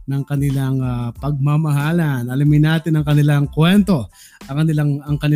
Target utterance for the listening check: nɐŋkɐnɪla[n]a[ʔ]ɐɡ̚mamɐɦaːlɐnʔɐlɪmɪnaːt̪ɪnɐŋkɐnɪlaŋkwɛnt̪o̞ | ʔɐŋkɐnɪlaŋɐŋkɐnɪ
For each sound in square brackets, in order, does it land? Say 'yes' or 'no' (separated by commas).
no, no